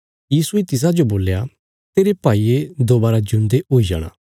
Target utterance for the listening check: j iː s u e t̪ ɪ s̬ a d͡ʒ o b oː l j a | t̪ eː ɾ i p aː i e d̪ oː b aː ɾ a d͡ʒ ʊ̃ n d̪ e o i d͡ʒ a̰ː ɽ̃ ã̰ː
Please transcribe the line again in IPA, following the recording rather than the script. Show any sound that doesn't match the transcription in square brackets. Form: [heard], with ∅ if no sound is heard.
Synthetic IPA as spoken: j iː s u e t̪ ɪ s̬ a d͡ʒ o b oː l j a | t̪ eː ɾ [e] p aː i e d̪ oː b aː ɾ a d͡ʒ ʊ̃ n d̪ e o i d͡ʒ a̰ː ɽ̃ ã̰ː